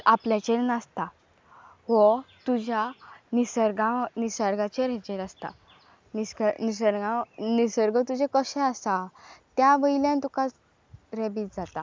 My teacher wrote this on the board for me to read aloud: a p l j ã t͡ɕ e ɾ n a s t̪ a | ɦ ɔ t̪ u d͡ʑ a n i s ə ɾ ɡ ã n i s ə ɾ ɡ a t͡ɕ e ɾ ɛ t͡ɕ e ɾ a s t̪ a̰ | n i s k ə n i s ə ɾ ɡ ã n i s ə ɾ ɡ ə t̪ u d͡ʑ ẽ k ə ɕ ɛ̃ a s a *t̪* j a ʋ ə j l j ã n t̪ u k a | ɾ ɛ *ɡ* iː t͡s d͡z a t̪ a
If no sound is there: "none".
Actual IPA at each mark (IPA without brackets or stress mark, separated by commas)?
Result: t̪, b